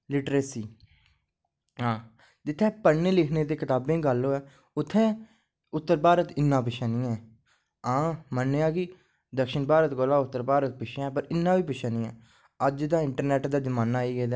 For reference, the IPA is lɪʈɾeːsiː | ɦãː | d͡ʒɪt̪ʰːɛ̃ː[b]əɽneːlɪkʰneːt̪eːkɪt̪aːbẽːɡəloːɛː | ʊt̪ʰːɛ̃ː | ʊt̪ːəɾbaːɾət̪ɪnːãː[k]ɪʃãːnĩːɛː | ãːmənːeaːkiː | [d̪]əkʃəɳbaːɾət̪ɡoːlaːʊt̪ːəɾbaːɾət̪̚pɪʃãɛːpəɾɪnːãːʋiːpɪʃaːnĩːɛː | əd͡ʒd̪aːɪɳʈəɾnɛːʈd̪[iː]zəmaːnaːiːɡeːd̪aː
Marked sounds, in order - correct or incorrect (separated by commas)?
incorrect, incorrect, correct, incorrect